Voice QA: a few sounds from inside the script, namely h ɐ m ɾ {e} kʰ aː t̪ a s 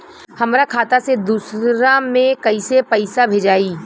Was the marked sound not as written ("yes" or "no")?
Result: yes